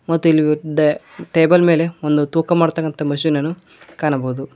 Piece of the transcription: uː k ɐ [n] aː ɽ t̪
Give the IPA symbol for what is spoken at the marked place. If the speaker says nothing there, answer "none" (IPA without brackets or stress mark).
m